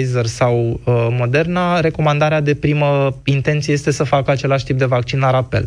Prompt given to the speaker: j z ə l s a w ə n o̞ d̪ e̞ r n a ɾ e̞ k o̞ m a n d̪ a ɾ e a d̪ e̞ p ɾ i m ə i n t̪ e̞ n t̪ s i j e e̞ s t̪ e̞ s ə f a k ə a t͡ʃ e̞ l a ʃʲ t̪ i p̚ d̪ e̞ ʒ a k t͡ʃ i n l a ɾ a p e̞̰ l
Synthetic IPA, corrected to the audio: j z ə r s a w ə m o̞ d̪ e̞ r n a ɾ e̞ k o̞ m a n d̪ a ɾ e a d̪ e̞ p ɾ i m ə i n t̪ e̞ n t̪ s i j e e̞ s t̪ e̞ s ə f a k ə a t͡ʃ e̞ l a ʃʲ t̪ i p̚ d̪ e̞ v a k t͡ʃ i n l a ɾ a p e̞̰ l